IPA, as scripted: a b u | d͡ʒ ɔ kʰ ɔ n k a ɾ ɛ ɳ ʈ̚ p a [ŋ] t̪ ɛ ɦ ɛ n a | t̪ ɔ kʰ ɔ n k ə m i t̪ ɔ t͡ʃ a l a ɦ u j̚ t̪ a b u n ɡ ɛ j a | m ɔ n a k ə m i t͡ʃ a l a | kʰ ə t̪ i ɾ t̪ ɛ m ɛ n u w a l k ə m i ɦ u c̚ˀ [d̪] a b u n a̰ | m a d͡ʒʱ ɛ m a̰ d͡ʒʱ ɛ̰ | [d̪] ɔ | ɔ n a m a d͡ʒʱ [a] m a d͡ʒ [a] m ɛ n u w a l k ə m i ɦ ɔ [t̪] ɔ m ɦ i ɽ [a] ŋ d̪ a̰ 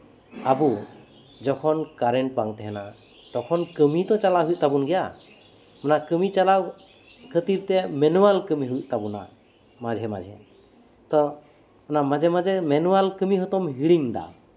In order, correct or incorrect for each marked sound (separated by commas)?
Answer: correct, incorrect, incorrect, incorrect, incorrect, correct, incorrect